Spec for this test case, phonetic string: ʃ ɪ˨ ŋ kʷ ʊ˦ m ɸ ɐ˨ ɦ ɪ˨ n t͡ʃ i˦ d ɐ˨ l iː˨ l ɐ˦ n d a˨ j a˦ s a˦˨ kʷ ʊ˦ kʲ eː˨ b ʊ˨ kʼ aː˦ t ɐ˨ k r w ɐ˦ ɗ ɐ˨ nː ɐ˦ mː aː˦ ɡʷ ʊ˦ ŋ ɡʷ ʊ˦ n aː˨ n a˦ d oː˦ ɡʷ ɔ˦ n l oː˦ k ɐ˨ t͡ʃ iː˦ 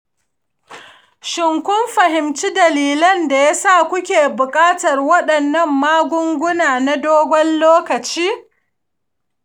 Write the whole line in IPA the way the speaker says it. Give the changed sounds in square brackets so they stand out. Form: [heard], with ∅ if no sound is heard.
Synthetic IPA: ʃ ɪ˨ ŋ kʷ ʊ˦ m ɸ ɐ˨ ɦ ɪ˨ [m] t͡ʃ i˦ d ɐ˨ l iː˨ l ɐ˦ n d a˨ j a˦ s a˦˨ kʷ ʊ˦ kʲ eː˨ b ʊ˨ kʼ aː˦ t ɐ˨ [∅] r w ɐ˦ ɗ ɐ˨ nː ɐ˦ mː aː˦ ɡʷ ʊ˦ ŋ ɡʷ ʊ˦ n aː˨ n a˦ d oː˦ ɡʷ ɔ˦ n l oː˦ k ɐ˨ t͡ʃ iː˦

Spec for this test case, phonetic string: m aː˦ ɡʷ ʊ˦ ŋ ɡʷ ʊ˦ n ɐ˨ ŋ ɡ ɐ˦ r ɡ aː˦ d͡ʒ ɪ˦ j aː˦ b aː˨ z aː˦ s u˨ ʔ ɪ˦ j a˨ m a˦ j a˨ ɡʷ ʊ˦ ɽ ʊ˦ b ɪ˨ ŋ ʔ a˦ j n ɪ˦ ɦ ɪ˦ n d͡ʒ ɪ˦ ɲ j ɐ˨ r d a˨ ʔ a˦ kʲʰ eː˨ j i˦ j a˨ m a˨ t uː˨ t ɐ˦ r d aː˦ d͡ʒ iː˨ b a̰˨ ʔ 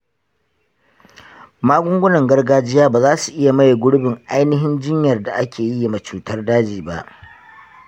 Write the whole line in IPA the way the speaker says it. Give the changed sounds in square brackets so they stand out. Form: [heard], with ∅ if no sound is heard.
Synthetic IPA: m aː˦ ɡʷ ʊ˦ ŋ ɡʷ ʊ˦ n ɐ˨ ŋ ɡ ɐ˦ r ɡ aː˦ d͡ʒ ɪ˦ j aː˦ b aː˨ z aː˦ s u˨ ʔ ɪ˦ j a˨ m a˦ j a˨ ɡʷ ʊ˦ ɽ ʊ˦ b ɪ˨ ŋ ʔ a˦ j n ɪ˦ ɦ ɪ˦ n d͡ʒ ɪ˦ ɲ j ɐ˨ r d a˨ ʔ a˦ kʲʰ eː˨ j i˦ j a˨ m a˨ [t͡ʃ] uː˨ t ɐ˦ r d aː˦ d͡ʒ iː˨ b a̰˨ ʔ

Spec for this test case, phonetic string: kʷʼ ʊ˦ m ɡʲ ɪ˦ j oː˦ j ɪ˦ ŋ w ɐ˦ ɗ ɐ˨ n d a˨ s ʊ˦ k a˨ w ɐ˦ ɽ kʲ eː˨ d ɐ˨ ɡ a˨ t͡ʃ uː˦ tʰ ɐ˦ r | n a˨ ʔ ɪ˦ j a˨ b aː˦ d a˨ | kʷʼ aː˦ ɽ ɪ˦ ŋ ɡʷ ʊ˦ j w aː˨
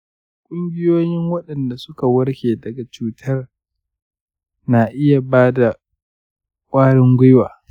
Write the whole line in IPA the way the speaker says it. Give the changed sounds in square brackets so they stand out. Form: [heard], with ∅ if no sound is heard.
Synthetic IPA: kʷʼ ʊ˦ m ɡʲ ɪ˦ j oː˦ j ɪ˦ ŋ w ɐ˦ ɗ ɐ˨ n d a˨ s ʊ˦ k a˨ w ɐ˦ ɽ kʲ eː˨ d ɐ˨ ɡ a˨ t͡ʃ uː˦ tʰ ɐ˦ r | n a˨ ʔ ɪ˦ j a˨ b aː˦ d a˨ | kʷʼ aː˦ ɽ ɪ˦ ŋ ɡʷ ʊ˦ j w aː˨

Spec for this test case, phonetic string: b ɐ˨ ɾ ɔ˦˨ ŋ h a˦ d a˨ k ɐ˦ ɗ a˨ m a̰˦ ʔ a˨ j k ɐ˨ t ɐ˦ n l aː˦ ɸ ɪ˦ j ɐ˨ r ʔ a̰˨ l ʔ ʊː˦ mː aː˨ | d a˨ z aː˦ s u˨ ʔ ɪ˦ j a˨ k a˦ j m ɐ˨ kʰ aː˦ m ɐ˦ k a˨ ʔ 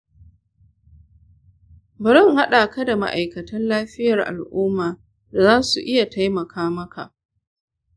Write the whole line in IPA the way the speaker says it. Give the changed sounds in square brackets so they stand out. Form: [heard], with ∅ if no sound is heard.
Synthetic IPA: b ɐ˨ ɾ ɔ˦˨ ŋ h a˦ [ɗ] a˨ k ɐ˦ [d] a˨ m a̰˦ ʔ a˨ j k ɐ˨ t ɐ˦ n l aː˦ ɸ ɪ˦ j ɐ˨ r ʔ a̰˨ l ʔ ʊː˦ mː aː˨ | d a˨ z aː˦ s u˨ ʔ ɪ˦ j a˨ [t] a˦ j m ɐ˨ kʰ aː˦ m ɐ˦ k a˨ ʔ

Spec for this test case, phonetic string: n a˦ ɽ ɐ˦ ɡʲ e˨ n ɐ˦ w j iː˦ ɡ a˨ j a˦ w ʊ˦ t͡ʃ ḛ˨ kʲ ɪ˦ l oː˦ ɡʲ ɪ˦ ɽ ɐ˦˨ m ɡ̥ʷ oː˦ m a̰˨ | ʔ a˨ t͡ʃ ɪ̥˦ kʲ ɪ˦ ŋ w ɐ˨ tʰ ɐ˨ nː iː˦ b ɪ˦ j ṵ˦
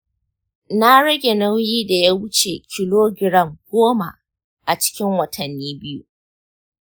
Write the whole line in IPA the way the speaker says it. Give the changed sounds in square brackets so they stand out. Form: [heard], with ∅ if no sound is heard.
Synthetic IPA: n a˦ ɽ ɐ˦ ɡʲ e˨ n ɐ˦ w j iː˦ [d] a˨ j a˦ w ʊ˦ t͡ʃ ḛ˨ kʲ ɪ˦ l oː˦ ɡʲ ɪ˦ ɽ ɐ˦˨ m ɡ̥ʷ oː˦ m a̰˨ | ʔ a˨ t͡ʃ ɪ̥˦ kʲ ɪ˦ ŋ w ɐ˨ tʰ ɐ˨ nː iː˦ b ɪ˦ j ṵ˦

